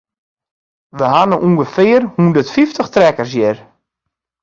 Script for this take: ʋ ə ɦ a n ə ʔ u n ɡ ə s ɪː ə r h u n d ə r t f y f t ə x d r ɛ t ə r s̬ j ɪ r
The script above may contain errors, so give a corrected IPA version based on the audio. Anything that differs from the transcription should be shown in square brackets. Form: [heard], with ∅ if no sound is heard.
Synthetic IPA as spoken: ʋ ə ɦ a n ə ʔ u [ŋ] ɡ ə [f] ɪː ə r h u n d ə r t f [i] f t ə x [t] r ɛ [k] ə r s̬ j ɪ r